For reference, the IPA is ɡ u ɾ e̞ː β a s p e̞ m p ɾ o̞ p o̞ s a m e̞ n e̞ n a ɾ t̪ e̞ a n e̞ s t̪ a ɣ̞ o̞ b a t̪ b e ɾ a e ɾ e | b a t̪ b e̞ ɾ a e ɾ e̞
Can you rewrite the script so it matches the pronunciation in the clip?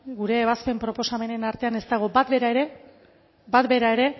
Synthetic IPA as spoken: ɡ u ɾ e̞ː β a s p e̞ m p ɾ o̞ p o̞ s a m e̞ n e̞ n a ɾ t̪ e̞ a n e̞ s t̪ a ɣ̞ o̞ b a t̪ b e ɾ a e ɾ e | b a t̪ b e̞ ɾ a e ɾ e̞